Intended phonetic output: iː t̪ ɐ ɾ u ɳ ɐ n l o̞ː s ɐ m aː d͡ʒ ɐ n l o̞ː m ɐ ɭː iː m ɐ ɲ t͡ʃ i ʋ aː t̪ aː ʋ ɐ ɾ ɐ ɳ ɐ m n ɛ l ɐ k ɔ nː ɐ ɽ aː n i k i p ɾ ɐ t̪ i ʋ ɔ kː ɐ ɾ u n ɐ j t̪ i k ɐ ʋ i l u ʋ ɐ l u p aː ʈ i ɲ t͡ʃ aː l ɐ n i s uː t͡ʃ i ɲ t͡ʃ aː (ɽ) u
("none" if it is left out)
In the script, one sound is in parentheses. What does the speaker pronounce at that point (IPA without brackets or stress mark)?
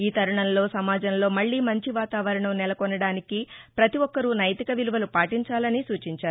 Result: ɾ